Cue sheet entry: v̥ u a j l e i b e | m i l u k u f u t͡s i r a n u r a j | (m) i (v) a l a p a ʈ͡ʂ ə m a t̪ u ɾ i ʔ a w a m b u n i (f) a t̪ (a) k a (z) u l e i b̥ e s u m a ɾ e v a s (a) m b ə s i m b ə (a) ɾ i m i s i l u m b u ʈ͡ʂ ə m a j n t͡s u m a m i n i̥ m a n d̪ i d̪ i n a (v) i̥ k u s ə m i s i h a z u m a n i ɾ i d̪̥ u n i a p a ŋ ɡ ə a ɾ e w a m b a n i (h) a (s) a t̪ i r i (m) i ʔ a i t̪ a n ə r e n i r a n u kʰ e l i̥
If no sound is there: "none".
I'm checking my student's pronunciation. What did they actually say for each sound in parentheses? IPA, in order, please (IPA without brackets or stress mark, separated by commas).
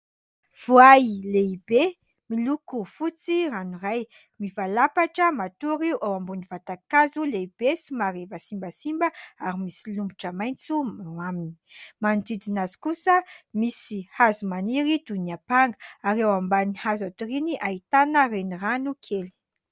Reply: m, v, v, a, z, i, a, z, h, z, n